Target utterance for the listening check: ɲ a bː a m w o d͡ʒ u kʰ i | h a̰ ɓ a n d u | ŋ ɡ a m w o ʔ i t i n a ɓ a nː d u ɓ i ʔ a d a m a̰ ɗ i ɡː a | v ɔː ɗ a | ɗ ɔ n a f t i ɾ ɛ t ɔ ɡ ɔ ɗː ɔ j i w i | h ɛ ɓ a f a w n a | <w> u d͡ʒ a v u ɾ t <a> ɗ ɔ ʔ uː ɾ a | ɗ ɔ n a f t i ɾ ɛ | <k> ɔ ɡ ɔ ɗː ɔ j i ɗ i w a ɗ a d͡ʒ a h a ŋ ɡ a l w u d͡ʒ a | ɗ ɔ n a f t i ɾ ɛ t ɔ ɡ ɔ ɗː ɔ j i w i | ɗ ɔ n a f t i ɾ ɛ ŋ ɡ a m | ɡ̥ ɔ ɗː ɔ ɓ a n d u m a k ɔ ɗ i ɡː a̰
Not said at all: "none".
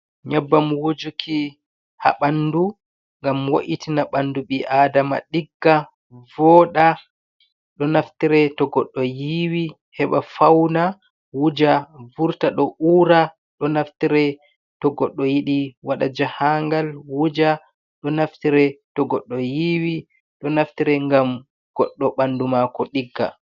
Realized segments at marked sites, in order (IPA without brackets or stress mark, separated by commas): w, a, t